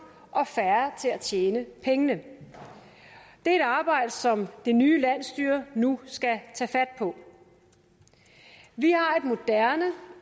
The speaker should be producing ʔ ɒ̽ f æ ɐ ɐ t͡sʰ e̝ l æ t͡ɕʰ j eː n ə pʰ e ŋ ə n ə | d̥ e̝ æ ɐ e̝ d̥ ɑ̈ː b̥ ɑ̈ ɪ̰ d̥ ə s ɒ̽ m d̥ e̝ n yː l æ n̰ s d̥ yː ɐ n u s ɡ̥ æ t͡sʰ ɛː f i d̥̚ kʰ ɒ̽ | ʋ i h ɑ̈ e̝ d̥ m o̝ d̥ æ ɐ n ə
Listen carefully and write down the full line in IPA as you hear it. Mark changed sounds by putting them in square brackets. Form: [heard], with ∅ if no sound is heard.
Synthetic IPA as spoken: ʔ ɒ̽ f æ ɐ ɐ t͡sʰ e̝ l æ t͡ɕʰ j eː n ə pʰ e ŋ ə n ə | d̥ e̝ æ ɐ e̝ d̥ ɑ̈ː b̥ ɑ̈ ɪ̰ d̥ ə s ɒ̽ m d̥ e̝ n yː l æ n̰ s d̥ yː ɐ n u s ɡ̥ æ t͡sʰ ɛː f [æ] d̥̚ [pʰ] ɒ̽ | ʋ i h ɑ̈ e̝ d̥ m o̝ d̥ æ ɐ n ə